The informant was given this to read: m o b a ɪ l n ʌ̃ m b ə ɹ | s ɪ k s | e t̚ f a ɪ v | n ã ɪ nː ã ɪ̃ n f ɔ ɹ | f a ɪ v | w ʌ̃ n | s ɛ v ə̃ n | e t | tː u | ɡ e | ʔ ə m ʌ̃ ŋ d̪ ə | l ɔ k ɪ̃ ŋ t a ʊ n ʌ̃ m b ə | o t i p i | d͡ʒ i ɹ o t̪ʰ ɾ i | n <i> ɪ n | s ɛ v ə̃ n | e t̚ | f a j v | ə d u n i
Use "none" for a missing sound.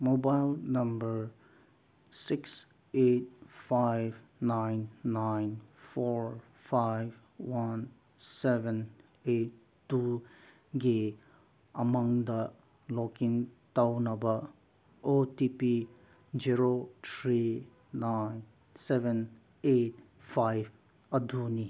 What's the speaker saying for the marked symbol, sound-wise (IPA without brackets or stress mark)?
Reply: a